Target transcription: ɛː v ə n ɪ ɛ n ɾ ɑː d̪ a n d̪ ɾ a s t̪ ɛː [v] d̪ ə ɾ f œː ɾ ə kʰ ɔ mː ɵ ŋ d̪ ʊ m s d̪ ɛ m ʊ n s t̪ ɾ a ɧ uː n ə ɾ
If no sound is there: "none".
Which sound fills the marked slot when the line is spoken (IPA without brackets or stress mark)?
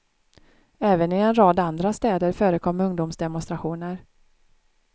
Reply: none